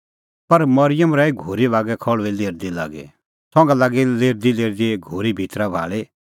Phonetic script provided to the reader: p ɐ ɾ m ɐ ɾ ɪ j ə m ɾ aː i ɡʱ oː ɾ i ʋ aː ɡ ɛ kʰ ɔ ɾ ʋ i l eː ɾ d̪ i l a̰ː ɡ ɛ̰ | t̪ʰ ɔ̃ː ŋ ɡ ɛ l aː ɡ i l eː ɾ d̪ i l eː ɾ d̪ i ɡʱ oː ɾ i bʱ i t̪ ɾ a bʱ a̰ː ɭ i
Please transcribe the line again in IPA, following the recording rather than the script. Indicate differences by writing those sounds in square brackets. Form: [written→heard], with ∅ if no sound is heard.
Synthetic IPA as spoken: p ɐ ɾ m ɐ ɾ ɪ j ə m ɾ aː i ɡʱ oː ɾ i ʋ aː ɡ ɛ kʰ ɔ [ɾ→ɭ] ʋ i l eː ɾ d̪ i l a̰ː ɡ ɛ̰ | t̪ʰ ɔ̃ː ŋ ɡ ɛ l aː ɡ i l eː ɾ d̪ i l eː ɾ d̪ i ɡʱ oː ɾ i bʱ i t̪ ɾ a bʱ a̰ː ɭ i